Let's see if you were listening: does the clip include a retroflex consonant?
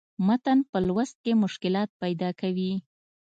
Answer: no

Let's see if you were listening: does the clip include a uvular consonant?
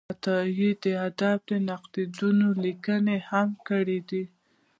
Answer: yes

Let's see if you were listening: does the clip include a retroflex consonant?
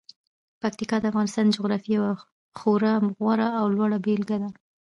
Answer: yes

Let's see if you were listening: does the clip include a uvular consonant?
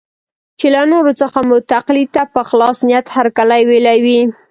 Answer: yes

